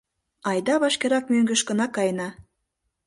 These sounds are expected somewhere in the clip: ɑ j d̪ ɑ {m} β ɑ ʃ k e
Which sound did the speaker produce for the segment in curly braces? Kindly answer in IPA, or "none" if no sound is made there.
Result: none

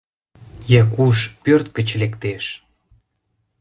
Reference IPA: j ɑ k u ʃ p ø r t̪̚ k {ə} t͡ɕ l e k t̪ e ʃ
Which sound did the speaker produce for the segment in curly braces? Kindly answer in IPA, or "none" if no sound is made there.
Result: ə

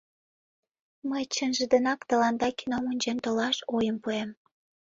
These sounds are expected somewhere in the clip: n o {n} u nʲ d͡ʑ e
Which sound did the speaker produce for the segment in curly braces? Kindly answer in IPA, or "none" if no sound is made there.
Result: m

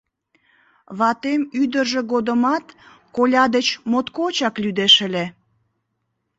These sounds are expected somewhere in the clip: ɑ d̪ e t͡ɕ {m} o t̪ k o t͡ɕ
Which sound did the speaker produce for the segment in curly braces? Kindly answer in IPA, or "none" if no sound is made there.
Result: m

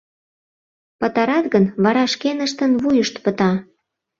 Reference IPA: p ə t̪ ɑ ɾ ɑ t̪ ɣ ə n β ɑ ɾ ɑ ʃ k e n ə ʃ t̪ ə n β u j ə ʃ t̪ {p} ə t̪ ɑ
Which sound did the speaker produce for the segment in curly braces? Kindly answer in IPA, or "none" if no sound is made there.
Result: p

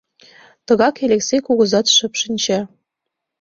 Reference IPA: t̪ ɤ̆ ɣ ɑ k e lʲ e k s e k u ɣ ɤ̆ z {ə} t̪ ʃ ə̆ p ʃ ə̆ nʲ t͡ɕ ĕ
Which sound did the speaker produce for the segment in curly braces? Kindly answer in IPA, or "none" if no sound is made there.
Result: ɑ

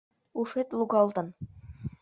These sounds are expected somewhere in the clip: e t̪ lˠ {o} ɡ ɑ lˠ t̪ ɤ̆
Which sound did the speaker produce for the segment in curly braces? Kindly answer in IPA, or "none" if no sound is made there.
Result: u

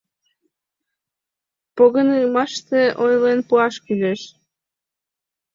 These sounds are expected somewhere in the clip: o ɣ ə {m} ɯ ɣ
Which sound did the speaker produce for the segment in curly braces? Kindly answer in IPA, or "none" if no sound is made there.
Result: n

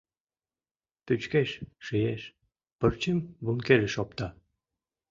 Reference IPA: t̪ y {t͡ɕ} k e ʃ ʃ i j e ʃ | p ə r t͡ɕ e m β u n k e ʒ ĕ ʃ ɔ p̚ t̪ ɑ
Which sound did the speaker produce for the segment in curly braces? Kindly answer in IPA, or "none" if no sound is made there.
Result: t͡ɕ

